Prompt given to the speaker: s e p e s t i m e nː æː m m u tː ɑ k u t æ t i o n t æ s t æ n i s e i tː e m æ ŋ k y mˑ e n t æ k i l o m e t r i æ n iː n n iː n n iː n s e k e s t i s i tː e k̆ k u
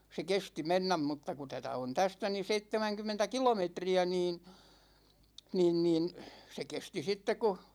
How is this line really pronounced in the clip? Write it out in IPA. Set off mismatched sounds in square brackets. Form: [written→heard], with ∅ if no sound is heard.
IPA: s e [p→k] e s t i m e nː [æː→æ] m m u tː ɑ k u t æ t [i→æ] o n t æ s t æ n i s e i tː e m æ ŋ k y mˑ e n t æ k i l o m e t r i æ n iː n n iː n n iː n s e k e s t i s i tː e k̆ k u